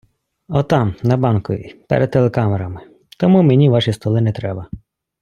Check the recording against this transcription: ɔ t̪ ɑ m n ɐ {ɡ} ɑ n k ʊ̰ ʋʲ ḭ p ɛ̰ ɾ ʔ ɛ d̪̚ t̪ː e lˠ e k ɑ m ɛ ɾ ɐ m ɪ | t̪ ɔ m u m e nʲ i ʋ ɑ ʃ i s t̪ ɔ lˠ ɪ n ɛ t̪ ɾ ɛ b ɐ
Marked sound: incorrect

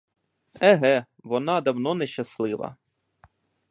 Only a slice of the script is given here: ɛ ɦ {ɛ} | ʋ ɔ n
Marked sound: correct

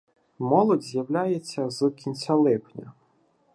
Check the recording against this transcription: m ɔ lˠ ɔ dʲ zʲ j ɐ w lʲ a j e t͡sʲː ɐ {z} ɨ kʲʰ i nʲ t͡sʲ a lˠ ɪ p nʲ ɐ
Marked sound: correct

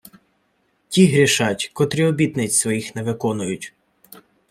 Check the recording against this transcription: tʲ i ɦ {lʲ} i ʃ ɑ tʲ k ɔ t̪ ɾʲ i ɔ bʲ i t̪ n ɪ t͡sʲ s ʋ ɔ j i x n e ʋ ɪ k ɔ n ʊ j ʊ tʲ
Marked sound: incorrect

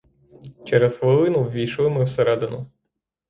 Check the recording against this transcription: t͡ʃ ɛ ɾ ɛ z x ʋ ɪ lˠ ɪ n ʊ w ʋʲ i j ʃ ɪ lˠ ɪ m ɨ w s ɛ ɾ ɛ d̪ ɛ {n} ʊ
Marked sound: correct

